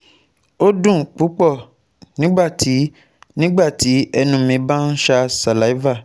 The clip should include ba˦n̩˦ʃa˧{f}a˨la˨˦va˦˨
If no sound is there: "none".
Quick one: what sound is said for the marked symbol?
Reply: s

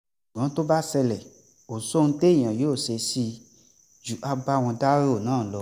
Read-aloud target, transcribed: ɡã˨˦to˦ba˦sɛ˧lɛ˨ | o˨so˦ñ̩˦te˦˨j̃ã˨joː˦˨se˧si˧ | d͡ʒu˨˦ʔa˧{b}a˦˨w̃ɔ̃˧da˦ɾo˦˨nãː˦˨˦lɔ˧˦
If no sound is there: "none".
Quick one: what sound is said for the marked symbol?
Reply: b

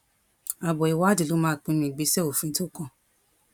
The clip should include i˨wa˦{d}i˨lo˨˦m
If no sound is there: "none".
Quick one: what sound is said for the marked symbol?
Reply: d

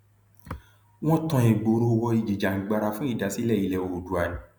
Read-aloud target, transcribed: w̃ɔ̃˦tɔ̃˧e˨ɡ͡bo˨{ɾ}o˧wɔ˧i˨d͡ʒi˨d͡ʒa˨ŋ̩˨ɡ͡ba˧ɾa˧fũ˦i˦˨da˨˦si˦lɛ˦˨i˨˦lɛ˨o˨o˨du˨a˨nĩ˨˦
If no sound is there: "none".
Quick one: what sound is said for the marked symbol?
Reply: ɾ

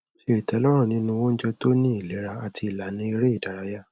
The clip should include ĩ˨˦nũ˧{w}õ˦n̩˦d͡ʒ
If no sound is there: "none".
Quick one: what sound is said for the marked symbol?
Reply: w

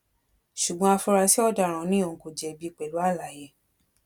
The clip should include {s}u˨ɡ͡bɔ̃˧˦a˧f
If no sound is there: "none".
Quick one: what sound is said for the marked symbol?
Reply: ʃ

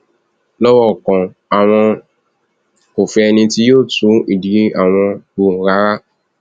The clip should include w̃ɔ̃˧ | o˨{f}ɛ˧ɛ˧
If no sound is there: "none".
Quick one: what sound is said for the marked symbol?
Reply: f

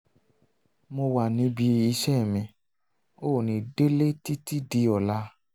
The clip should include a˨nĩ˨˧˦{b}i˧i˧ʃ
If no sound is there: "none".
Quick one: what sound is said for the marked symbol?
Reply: b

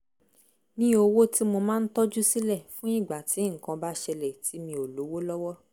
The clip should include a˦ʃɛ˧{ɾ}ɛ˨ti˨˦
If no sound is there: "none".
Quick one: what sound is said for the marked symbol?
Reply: l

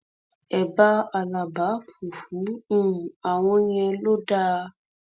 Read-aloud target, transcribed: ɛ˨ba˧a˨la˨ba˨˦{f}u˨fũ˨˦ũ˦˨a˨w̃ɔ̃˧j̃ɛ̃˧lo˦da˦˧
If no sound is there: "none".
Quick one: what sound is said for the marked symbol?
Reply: f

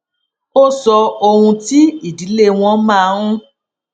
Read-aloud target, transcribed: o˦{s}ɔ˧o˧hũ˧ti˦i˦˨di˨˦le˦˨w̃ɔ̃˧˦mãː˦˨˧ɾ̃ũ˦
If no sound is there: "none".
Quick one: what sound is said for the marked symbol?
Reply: s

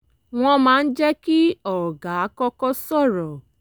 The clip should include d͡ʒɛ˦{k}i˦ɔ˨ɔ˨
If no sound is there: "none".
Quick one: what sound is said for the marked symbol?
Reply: k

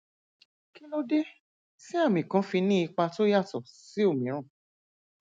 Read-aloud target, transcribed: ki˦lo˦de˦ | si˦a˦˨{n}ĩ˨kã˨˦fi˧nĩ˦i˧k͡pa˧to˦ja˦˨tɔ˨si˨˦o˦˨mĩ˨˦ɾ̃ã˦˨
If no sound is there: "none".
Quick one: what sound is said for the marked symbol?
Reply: m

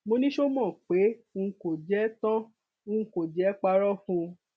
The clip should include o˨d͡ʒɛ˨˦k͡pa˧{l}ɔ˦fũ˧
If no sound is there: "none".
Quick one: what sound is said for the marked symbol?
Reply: ɾ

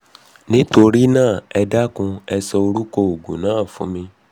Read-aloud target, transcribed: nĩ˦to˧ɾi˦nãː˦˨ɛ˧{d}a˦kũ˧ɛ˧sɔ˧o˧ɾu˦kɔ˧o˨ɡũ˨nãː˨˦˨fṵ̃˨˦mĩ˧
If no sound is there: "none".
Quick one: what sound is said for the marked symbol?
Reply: d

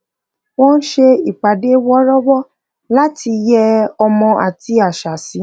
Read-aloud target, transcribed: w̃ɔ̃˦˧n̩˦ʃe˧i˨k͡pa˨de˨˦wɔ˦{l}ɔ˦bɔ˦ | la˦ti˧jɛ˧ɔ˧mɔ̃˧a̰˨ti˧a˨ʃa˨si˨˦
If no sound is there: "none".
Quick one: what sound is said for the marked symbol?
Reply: ɾ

